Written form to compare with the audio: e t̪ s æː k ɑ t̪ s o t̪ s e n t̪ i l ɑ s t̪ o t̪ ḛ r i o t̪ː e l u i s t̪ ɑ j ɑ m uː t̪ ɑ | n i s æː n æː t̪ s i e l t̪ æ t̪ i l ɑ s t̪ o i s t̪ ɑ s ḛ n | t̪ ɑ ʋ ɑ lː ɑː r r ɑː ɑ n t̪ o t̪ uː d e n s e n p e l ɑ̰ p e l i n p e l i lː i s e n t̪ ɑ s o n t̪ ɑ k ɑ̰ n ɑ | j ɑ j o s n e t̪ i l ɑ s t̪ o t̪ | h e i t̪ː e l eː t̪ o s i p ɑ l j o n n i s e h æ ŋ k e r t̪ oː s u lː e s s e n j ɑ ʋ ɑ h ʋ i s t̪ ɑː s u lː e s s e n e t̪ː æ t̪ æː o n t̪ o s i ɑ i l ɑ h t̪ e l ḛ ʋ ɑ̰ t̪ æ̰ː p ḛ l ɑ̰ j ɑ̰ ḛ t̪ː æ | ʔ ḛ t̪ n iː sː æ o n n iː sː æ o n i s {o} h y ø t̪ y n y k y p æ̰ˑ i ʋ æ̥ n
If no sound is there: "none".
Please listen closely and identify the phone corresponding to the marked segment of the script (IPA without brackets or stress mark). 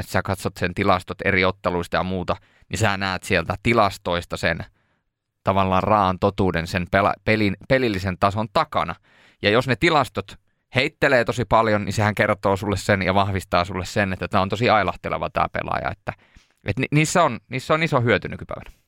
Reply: o